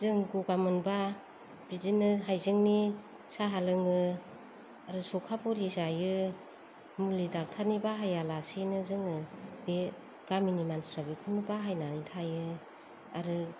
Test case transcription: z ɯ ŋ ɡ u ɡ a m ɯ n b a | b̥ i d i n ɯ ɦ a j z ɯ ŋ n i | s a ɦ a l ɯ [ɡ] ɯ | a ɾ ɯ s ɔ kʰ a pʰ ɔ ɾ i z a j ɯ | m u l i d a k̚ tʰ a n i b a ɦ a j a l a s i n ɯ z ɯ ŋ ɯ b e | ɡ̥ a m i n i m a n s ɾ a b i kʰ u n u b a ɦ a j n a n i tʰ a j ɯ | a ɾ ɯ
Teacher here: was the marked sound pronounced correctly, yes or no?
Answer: no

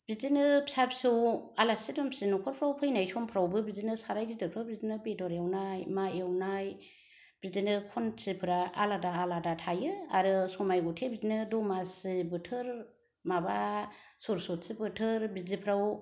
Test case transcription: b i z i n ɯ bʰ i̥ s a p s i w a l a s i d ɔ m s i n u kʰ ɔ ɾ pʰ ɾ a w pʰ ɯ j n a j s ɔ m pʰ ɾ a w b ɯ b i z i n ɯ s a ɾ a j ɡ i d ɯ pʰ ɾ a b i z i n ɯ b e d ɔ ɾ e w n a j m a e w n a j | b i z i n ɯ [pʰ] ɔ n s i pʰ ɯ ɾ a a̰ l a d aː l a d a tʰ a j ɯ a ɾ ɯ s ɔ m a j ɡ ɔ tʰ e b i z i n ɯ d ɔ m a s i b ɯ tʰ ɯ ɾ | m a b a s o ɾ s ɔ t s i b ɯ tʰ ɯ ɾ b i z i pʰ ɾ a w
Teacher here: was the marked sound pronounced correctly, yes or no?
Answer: no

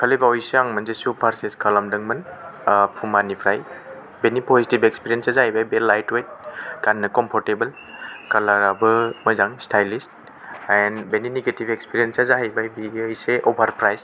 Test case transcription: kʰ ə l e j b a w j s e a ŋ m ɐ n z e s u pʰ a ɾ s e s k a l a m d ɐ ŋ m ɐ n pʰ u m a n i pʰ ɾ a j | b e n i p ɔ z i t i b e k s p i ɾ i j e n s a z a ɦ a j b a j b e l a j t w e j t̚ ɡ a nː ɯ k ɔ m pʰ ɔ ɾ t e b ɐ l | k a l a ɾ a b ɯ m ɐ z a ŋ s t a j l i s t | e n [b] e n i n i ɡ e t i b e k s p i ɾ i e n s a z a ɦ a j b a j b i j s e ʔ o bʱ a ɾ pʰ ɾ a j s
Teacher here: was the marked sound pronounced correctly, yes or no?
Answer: yes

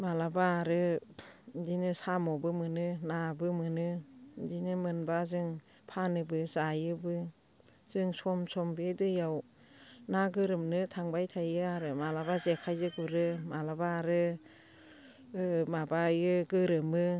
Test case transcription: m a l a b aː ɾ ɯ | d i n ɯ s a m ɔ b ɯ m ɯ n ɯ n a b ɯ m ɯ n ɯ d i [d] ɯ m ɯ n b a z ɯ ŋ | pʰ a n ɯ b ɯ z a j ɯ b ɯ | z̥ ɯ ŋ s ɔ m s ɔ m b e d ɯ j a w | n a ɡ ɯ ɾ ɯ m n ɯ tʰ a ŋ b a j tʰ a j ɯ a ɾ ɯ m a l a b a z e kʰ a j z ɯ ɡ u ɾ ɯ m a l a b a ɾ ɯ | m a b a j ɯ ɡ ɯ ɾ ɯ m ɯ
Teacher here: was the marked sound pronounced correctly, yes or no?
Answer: no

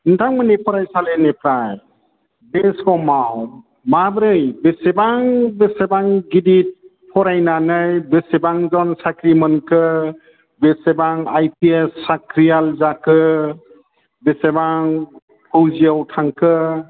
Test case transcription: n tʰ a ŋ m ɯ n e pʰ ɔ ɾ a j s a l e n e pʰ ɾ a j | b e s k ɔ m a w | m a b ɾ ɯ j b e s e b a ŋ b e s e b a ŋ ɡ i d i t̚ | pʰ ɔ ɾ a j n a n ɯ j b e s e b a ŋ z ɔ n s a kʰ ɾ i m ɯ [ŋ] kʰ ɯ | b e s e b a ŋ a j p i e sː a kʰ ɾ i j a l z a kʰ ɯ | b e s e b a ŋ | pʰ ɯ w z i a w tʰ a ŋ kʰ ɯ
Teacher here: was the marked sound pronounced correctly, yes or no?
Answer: no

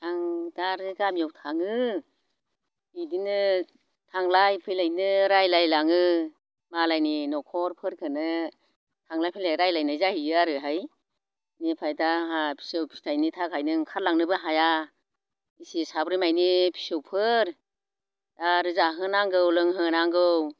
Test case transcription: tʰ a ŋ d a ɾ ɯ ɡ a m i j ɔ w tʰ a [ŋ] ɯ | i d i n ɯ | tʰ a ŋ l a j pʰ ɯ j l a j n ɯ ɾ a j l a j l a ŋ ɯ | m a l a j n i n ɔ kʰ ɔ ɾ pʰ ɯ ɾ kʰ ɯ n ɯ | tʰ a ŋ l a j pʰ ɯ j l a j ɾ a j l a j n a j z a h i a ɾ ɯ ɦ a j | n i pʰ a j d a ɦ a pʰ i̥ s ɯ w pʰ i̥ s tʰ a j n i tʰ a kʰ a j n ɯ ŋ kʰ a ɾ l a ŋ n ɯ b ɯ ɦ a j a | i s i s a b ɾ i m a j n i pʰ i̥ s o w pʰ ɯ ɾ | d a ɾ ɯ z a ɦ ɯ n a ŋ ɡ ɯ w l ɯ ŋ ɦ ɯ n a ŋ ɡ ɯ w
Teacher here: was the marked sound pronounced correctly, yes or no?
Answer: yes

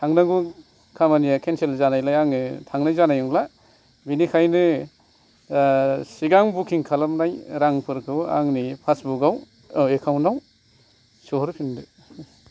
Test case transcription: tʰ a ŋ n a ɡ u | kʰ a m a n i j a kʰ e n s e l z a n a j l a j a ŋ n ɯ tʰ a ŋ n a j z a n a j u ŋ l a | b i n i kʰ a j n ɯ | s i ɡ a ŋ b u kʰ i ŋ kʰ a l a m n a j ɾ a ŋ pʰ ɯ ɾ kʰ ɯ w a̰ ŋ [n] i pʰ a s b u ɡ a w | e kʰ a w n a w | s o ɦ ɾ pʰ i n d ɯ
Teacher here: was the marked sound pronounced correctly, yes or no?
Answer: yes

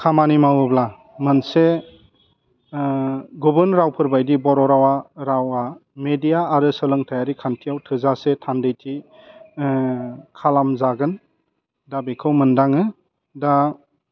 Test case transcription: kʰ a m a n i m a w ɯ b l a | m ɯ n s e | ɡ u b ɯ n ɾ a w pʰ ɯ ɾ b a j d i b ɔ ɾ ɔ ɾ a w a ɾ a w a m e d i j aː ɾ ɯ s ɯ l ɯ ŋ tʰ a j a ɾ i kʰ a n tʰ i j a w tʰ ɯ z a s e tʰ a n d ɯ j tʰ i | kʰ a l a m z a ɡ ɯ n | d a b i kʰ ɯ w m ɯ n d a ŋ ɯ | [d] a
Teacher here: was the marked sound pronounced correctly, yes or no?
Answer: yes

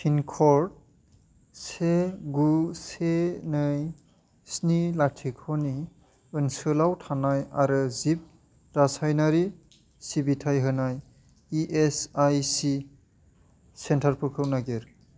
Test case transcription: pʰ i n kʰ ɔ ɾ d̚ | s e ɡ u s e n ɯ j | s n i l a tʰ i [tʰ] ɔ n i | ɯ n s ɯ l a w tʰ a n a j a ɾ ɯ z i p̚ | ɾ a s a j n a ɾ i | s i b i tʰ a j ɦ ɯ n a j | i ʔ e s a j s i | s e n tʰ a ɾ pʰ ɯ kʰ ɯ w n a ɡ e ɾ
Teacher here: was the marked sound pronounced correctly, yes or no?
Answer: no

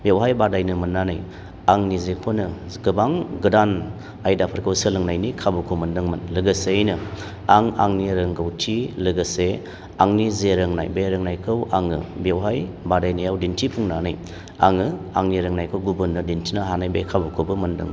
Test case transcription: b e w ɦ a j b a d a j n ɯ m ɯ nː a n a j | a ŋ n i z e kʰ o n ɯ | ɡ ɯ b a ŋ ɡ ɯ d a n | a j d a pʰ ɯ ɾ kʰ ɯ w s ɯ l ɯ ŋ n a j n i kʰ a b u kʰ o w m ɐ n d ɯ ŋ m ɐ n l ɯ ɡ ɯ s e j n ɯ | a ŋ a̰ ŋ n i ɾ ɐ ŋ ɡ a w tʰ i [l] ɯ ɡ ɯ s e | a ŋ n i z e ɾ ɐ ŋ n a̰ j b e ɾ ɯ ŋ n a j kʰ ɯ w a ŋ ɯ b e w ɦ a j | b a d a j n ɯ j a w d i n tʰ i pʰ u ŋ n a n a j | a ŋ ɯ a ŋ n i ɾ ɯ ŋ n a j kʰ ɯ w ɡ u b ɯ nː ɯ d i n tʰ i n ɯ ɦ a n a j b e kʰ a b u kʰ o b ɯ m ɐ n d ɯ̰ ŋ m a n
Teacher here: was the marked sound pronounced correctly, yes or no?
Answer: yes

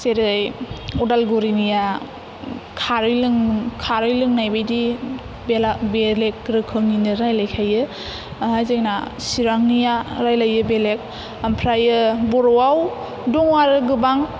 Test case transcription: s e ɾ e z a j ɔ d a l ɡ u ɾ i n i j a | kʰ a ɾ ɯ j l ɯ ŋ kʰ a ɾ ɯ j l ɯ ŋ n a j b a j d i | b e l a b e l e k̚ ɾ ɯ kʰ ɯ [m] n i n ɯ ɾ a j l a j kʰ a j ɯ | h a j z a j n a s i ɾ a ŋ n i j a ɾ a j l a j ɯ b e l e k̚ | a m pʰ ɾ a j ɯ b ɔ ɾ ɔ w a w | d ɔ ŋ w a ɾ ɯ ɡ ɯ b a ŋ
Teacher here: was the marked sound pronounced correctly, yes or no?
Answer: no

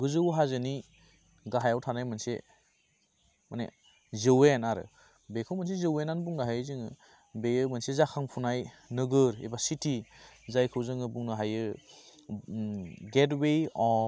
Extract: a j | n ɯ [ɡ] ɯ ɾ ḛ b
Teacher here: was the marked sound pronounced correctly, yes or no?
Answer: yes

